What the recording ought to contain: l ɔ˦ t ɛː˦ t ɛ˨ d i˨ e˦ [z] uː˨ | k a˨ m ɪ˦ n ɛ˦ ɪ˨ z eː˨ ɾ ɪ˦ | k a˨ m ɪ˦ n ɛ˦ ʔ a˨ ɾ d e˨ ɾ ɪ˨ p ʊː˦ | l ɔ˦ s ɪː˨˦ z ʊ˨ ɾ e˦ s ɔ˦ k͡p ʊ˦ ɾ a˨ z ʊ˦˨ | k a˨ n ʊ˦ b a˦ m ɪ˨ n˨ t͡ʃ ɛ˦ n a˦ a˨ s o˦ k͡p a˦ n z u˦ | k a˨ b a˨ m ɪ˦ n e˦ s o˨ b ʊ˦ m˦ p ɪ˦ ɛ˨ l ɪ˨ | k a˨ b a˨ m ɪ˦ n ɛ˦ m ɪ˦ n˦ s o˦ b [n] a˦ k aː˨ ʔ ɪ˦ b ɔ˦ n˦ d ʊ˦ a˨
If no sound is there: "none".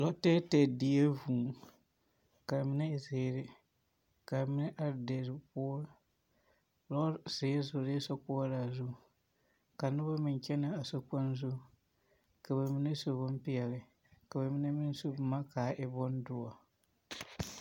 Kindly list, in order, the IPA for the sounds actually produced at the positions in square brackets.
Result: v, m

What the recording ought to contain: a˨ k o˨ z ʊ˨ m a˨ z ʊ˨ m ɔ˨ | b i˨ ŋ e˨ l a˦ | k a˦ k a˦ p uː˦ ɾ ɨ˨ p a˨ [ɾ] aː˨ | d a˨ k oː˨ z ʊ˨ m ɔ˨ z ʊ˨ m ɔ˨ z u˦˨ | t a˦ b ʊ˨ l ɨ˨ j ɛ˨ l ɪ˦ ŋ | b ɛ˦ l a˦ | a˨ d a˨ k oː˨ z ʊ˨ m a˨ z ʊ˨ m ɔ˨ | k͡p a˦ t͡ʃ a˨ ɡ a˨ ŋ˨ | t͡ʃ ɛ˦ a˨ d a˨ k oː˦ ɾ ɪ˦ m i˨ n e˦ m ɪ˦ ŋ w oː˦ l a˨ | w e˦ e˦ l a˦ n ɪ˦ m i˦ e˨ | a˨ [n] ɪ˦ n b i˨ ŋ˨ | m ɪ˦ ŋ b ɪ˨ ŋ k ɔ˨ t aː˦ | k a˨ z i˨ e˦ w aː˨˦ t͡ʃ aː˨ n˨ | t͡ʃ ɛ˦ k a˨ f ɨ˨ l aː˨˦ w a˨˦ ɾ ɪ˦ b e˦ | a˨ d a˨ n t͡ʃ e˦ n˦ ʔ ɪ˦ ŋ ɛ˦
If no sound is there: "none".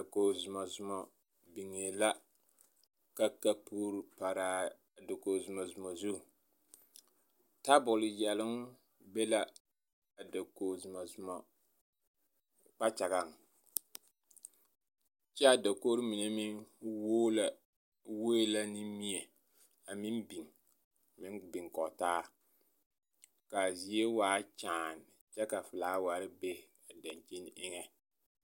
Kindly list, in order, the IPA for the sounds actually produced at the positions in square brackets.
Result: ɾ, m

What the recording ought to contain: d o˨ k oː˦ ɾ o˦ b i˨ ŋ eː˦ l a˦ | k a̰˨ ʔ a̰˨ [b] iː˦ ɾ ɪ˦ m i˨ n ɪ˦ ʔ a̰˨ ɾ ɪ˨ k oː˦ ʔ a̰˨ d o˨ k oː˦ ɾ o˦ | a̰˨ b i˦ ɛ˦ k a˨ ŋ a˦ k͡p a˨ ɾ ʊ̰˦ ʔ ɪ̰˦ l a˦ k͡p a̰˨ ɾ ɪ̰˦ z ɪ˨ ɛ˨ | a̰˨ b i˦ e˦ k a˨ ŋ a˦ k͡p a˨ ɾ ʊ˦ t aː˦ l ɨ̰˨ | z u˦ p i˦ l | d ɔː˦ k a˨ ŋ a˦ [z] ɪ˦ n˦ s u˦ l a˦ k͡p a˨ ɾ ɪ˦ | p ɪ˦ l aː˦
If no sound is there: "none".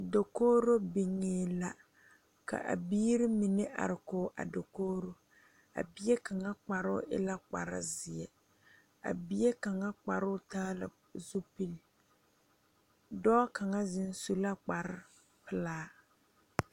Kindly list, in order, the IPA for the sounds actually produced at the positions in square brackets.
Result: b, z

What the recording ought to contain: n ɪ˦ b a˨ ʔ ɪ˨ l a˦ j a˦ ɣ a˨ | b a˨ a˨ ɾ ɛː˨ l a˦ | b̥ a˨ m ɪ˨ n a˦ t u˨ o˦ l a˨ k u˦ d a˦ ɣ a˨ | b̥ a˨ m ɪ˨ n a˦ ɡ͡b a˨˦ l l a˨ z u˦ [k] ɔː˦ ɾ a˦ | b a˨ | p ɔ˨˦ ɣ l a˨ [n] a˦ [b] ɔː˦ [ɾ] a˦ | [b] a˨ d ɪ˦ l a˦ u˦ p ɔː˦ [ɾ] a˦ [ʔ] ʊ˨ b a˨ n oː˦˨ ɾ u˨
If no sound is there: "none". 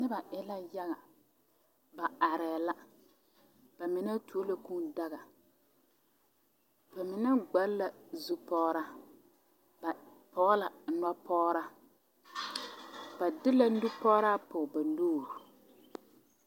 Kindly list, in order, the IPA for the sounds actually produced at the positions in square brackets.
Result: p, n, p, ɾ, b, ɾ, p

